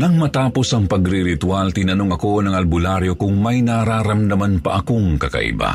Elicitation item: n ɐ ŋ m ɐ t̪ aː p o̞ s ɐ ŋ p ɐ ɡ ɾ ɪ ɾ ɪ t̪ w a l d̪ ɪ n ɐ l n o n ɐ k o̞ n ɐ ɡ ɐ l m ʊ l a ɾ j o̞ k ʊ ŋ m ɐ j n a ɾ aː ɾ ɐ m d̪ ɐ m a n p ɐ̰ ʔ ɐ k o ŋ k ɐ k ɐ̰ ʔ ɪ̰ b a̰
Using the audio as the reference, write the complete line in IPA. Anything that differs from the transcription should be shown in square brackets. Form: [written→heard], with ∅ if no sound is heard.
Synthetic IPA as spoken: n ɐ ŋ m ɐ t̪ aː p o̞ s ɐ ŋ p ɐ ɡ ɾ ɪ ɾ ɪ t̪ w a l [d̪→t̪] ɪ n ɐ [l→∅] n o [n→ŋ] ɐ k o̞ n ɐ [ɡ→ŋ] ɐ l [m→b] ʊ l a ɾ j o̞ k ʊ ŋ m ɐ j n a ɾ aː ɾ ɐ m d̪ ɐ m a n p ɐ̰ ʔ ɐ k o ŋ k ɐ k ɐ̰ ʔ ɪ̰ b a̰